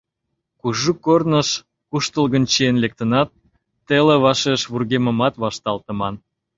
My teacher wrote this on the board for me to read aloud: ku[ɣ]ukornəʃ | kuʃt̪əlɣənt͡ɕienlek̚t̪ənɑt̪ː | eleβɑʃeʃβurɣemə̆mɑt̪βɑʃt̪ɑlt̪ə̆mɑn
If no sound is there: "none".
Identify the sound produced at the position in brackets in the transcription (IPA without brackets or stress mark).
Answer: ʒ